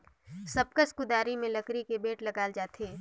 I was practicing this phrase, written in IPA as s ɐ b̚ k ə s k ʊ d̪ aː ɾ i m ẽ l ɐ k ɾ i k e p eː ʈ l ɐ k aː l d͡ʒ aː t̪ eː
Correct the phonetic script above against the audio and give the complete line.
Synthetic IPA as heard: s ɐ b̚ k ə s k ʊ d̪ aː ɾ i m ẽ l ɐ k ɾ i k e b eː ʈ l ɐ ɡ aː l d͡ʒ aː t̪ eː